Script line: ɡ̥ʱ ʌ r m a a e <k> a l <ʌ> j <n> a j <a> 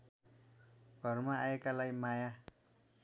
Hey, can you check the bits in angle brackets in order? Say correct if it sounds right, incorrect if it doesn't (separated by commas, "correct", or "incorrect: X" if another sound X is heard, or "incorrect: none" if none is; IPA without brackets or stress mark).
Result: correct, incorrect: a, incorrect: m, correct